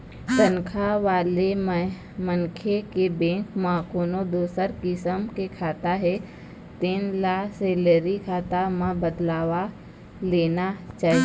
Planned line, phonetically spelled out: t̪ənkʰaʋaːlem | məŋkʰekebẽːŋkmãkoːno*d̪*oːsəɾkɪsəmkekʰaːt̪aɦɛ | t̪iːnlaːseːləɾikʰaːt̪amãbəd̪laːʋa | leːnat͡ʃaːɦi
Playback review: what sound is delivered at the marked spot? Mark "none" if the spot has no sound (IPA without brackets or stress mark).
d̪